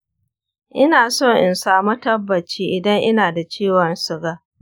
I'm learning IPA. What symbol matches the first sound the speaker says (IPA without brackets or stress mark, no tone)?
ʔ